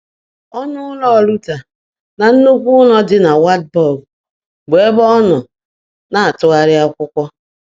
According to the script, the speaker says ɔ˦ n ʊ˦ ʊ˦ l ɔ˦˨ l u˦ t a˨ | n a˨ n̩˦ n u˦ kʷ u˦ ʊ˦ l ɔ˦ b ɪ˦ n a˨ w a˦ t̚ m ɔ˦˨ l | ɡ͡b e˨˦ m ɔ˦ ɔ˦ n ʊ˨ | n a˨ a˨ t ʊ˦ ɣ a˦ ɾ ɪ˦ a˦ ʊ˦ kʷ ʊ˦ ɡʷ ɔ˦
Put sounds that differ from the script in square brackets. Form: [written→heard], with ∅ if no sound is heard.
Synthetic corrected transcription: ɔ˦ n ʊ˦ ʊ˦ l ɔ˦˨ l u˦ t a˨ | n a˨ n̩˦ n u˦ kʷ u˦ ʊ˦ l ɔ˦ [b→d] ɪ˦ n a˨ w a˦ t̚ [m→b] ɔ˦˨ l | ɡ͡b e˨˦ [m→b] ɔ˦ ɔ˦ n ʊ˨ | n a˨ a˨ t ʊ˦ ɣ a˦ ɾ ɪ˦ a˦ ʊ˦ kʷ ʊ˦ [ɡʷ→kʷ] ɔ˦